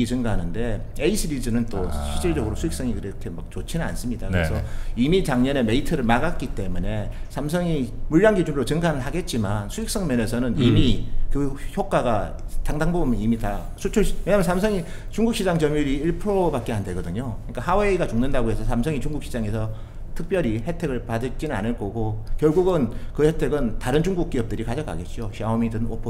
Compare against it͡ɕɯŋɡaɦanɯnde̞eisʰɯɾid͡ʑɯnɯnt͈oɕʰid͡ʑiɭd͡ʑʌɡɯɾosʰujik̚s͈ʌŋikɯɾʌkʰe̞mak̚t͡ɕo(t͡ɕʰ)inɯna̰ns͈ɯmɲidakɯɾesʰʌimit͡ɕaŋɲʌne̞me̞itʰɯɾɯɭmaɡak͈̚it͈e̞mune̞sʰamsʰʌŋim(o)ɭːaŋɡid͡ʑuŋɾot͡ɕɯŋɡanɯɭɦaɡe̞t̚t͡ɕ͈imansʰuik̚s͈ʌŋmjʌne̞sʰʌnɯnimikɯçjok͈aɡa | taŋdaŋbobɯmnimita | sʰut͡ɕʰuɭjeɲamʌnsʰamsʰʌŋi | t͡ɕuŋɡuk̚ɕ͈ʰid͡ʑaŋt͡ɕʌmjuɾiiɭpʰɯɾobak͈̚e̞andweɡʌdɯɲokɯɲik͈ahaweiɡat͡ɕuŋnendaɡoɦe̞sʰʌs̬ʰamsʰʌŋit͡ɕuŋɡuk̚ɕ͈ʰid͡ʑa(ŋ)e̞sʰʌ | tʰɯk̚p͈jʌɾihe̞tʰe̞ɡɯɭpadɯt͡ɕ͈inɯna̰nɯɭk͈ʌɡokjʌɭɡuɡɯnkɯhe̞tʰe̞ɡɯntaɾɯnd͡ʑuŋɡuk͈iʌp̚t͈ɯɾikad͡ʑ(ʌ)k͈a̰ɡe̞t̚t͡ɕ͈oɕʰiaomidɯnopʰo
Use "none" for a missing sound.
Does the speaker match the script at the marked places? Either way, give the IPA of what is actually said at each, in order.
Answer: t͡ɕʰ, u, ŋ, ʌ

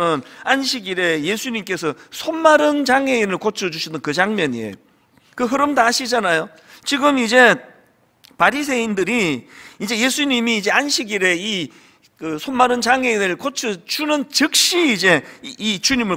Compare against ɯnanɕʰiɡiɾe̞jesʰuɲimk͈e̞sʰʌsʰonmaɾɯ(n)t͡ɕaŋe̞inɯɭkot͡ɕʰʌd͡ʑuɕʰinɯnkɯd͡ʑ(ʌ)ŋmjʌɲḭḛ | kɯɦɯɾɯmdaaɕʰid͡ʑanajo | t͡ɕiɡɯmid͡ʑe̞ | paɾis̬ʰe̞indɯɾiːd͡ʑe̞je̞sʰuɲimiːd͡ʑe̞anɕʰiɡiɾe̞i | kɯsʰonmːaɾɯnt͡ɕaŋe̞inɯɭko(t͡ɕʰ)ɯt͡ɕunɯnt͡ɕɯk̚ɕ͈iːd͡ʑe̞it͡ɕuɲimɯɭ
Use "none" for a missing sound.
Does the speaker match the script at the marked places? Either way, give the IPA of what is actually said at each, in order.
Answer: n, a, t͡ɕʰ

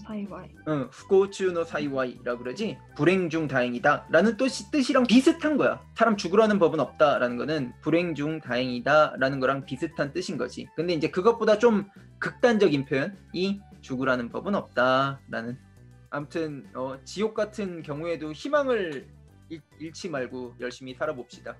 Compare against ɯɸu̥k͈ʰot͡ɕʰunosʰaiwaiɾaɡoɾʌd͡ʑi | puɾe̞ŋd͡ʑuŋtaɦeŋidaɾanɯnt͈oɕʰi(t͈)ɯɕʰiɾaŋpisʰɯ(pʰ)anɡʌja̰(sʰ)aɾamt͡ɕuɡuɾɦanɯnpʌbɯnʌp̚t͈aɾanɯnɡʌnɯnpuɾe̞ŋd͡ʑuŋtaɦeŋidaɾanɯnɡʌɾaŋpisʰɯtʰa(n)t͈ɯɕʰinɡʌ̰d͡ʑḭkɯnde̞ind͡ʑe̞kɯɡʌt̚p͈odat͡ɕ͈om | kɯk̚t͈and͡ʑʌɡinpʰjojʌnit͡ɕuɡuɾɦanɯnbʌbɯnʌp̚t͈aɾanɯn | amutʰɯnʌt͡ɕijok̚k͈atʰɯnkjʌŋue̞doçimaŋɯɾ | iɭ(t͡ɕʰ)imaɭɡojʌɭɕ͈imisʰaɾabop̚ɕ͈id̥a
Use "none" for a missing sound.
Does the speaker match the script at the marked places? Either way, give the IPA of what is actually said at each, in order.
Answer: t͈, tʰ, sʰ, n, t͡ɕʰ

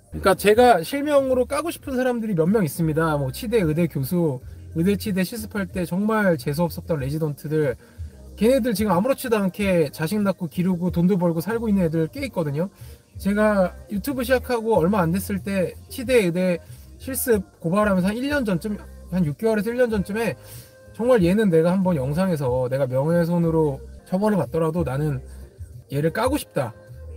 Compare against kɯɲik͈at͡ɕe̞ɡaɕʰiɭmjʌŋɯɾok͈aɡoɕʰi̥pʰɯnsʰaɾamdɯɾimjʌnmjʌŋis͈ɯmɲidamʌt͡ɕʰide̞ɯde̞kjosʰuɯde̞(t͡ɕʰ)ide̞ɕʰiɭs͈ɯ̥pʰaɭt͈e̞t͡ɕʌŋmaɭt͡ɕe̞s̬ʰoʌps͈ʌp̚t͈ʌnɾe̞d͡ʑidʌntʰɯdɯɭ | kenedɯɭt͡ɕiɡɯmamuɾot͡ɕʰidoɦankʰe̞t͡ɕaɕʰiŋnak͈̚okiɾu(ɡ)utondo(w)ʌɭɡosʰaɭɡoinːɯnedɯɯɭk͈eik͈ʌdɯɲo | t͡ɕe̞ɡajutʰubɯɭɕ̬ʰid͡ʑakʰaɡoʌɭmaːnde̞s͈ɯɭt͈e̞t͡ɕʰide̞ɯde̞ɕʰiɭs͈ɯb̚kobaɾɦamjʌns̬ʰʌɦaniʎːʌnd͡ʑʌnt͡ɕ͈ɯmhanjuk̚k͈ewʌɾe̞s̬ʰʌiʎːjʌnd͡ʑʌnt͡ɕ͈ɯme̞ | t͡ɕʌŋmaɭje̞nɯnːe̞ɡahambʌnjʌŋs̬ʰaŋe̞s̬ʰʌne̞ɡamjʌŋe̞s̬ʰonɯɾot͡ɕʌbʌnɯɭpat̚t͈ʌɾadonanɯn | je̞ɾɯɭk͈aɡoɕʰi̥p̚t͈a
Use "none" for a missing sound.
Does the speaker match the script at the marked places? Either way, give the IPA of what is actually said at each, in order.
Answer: t͡ɕʰ, ɡ, b

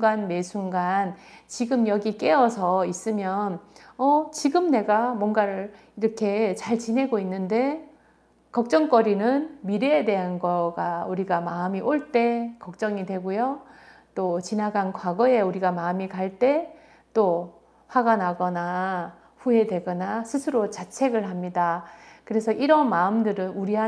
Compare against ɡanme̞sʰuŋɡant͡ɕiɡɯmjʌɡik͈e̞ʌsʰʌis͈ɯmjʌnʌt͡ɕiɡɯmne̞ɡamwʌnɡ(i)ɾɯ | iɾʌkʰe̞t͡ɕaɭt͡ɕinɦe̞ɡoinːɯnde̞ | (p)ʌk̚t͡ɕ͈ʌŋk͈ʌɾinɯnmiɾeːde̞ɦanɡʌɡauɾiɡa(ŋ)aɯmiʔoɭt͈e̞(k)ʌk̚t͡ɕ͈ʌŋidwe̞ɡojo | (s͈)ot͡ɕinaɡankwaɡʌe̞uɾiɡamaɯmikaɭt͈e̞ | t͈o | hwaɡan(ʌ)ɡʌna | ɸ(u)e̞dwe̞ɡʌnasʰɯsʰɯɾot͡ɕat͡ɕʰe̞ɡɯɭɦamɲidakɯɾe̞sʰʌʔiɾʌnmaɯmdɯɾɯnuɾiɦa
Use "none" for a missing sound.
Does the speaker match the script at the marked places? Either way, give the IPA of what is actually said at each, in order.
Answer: a, k, m, k, t͈, a, u

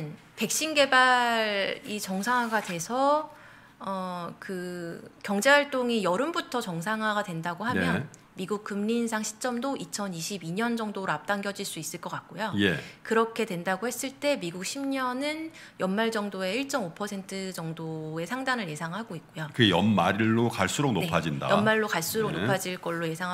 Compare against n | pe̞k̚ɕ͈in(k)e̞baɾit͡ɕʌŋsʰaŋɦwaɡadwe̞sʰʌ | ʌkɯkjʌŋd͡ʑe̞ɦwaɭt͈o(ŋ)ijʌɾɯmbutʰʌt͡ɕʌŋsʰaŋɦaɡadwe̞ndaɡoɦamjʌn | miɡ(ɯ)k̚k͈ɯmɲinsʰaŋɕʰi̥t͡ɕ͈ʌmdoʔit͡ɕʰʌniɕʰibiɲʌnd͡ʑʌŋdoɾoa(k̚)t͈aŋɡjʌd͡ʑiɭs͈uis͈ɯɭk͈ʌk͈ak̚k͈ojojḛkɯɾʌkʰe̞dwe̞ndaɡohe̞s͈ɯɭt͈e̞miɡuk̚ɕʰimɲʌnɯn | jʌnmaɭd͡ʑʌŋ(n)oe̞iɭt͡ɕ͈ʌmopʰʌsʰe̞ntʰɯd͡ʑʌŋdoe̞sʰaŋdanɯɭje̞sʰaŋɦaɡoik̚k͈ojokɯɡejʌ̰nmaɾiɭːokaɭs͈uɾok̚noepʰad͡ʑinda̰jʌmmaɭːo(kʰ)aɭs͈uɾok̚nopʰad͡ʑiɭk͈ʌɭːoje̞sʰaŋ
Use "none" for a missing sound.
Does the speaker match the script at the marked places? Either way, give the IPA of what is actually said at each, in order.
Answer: ɡ, ŋ, u, p̚, d, k

